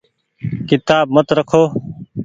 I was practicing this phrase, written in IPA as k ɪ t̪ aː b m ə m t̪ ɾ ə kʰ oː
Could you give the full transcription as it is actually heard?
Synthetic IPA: k ɪ t̪ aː b m ə t̪ ɾ ə kʰ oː